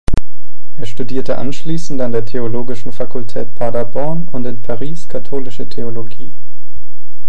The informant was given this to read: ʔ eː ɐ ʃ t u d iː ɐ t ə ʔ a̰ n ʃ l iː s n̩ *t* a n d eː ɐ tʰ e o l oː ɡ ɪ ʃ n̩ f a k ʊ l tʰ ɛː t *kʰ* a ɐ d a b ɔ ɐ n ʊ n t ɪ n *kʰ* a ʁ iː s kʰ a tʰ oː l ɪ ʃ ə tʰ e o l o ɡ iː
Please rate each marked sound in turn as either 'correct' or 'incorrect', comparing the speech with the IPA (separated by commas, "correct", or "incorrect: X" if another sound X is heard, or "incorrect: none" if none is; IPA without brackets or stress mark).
correct, incorrect: pʰ, incorrect: pʰ